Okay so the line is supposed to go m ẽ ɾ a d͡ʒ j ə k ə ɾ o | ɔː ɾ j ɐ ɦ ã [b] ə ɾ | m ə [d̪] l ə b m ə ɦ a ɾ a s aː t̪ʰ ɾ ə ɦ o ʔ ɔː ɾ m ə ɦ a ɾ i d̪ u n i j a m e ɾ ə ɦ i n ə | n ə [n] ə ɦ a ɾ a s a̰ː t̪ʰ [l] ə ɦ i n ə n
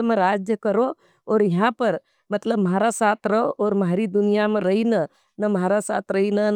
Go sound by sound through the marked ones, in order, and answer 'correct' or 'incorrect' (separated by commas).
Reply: incorrect, incorrect, incorrect, incorrect